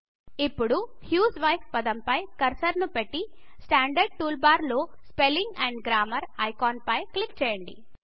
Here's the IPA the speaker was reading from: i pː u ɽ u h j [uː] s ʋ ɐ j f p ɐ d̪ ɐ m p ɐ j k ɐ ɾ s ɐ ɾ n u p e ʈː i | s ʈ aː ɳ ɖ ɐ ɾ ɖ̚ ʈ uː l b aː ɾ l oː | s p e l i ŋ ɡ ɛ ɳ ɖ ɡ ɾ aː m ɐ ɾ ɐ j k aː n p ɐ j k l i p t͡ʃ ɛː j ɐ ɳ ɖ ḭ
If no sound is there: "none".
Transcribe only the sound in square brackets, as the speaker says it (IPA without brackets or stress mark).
uː